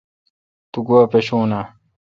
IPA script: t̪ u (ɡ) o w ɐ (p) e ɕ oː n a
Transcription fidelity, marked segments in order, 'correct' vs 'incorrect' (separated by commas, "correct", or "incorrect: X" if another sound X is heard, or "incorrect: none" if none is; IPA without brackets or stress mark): correct, correct